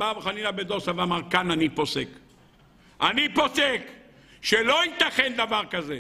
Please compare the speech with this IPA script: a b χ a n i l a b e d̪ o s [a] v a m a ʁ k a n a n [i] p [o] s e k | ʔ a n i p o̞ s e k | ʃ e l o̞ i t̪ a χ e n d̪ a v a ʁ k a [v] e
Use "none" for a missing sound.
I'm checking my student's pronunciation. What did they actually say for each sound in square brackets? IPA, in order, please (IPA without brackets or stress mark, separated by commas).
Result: a, i, o, z